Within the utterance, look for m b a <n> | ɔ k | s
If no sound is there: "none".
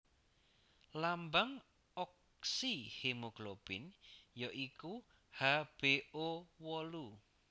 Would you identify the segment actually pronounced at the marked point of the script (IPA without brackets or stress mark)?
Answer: ŋ